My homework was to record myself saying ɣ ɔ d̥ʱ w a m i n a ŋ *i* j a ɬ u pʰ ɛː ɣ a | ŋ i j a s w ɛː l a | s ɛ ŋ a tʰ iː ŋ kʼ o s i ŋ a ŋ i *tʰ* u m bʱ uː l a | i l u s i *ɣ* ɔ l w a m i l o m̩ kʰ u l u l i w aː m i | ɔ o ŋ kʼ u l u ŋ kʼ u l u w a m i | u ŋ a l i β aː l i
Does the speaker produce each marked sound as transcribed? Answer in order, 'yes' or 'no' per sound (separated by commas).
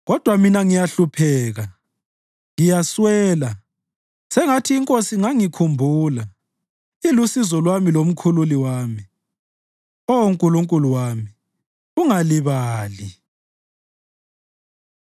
yes, no, no